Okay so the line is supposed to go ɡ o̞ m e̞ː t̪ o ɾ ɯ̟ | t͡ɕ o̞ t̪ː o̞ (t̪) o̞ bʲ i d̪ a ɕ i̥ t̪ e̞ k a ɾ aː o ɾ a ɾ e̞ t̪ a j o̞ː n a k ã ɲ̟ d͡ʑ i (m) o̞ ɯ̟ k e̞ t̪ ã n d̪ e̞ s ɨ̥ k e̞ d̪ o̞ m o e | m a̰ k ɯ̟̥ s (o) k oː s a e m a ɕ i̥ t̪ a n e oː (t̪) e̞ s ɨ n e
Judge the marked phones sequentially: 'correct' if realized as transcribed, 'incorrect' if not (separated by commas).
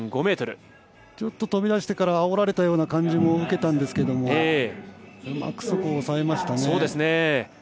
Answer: correct, correct, correct, incorrect